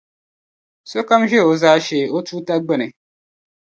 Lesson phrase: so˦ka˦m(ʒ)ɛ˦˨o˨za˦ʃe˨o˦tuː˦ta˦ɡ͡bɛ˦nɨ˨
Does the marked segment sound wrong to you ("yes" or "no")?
no